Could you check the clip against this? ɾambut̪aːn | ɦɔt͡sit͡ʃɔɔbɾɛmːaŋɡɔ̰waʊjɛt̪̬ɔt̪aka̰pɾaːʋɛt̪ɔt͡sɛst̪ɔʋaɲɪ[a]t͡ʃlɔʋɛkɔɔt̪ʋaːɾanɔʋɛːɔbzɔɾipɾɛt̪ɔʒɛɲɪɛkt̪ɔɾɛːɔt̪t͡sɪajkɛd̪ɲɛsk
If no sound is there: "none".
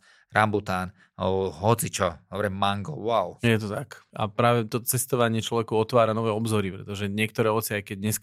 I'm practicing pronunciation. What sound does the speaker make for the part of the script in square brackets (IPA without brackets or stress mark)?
ɛ